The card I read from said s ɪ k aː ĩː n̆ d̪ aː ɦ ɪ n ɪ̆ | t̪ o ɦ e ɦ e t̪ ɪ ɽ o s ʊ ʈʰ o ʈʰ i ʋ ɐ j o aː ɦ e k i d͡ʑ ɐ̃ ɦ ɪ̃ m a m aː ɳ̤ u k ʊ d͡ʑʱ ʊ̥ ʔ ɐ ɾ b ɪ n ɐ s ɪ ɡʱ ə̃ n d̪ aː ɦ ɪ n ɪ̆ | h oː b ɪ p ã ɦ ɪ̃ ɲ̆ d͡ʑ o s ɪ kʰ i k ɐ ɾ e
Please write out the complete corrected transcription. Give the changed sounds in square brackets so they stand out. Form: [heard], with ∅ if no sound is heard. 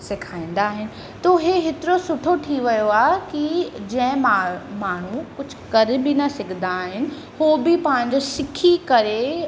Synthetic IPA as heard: s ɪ [kʰ] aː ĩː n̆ d̪ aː ɦ ɪ n ɪ̆ | t̪ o ɦ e ɦ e t̪ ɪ [ɾ] o s ʊ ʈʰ o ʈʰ i ʋ ɐ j o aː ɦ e k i d͡ʑ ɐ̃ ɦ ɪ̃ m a m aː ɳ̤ u k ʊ d͡ʑʱ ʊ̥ [k] ɐ ɾ b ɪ n ɐ s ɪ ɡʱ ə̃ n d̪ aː ɦ ɪ n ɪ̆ | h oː b ɪ p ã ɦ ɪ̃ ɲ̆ d͡ʑ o s ɪ kʰ i k ɐ ɾ e